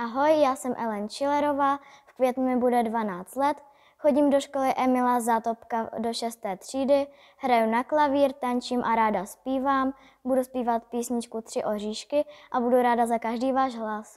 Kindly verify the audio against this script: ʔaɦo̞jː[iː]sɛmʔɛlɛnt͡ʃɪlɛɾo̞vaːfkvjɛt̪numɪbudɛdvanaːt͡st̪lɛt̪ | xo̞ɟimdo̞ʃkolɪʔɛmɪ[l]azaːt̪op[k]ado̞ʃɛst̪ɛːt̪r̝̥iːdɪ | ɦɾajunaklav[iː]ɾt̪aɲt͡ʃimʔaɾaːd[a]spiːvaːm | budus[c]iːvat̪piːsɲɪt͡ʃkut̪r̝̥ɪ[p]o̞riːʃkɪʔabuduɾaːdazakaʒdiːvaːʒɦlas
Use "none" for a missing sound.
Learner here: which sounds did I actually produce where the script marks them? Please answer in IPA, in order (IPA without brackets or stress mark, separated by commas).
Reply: aː, l, k, iː, a, p, ʔ